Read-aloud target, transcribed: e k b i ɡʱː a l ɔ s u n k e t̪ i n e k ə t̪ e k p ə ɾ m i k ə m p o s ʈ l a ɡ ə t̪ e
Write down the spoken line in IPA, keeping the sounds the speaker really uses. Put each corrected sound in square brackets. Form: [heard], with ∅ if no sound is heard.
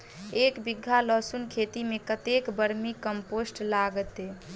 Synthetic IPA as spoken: e k b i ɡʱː a l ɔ s u n [kʰ] e t̪ i [m] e k ə t̪ e k [b] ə ɾ m i k ə m p o s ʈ l a ɡ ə t̪ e